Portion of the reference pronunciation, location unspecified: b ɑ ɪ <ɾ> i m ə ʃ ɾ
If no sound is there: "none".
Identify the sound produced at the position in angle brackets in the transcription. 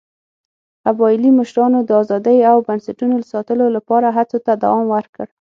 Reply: l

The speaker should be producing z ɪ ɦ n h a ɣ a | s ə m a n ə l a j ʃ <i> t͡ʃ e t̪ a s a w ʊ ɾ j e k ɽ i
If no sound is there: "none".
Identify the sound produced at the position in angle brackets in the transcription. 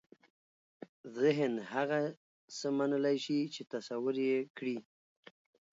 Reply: i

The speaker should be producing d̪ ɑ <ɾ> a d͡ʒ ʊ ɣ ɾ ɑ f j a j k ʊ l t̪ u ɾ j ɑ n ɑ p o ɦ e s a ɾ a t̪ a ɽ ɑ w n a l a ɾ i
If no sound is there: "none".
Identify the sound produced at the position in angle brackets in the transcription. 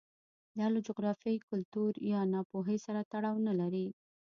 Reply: l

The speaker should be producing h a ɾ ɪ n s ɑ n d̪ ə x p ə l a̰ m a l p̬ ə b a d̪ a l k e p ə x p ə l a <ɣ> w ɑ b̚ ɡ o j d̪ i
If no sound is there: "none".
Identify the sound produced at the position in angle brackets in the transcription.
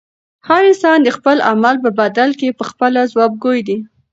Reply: z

